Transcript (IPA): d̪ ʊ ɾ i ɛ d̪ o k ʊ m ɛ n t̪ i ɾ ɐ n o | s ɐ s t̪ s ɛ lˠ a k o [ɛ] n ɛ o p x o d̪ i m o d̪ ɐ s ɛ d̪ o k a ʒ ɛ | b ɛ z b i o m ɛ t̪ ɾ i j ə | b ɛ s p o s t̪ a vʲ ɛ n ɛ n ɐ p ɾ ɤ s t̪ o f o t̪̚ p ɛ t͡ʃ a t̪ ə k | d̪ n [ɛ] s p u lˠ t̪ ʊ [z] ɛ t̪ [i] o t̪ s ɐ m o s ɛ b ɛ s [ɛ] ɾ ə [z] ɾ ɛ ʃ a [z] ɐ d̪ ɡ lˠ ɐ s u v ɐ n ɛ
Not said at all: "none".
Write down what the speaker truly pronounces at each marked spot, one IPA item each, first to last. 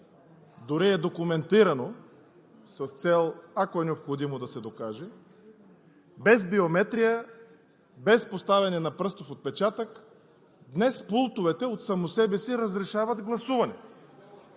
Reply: ɛ, ɛ, v, ɛ, i, z, v

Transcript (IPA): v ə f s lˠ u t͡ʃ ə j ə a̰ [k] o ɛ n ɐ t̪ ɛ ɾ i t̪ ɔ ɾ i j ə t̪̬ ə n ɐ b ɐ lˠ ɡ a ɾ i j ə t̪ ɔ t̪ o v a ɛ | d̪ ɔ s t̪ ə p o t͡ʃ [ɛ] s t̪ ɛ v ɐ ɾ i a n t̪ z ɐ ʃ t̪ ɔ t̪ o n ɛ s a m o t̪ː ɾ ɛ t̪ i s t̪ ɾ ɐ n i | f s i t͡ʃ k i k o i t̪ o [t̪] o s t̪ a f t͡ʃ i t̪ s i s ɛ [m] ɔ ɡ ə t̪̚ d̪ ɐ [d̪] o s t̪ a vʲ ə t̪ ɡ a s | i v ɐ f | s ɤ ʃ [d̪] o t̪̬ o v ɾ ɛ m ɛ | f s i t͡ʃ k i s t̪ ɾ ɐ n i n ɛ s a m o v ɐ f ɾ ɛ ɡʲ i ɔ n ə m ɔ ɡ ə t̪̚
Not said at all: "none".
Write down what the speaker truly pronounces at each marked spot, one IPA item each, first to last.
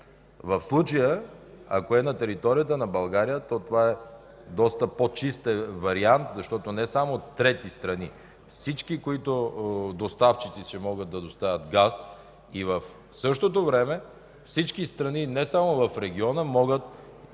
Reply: k, i, d̪, m, d̪, t̪

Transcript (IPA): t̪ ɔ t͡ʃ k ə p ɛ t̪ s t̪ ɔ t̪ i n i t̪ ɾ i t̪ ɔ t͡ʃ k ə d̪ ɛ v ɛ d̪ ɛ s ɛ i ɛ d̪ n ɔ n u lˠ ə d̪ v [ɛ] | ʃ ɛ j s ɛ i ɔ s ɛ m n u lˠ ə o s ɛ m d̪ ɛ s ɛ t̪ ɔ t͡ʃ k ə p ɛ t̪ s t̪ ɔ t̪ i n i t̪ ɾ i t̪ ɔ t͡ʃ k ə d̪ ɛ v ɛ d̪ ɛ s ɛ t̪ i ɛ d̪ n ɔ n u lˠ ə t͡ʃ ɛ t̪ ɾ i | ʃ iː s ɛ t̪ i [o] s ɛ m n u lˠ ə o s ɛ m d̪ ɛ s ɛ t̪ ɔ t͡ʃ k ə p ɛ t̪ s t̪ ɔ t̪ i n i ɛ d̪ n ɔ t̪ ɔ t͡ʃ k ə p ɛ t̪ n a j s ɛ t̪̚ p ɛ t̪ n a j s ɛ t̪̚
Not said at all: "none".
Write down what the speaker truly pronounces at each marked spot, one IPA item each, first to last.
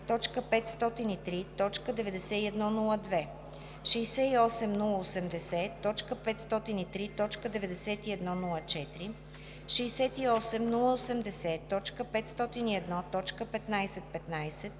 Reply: ɛ, ɔ

